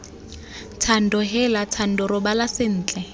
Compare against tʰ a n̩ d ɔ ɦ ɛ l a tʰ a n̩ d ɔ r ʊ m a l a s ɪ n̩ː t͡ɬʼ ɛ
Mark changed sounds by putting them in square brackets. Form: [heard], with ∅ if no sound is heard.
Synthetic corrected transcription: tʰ a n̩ d ɔ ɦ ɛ l a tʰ a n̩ d ɔ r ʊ [b] a l a s ɪ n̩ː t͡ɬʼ ɛ